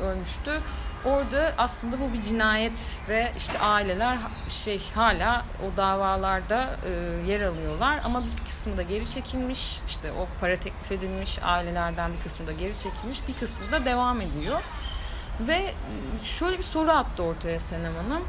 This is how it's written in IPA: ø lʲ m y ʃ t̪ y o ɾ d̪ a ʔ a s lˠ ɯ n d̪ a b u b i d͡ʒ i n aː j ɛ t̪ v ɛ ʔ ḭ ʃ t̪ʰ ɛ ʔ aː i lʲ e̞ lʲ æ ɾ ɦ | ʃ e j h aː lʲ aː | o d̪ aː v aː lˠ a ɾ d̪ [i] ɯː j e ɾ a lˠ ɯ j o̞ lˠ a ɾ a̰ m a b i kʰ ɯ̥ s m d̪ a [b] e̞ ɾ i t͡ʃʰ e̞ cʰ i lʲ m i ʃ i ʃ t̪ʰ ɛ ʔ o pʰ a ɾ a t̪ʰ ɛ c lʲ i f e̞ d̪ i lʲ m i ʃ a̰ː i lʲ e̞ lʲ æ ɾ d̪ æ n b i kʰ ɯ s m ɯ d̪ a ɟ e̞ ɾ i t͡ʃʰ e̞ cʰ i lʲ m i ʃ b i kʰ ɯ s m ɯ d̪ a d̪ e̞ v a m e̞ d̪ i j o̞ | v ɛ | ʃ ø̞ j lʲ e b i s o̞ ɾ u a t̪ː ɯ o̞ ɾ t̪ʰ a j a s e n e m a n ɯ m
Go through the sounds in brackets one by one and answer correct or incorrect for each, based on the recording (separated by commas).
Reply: incorrect, incorrect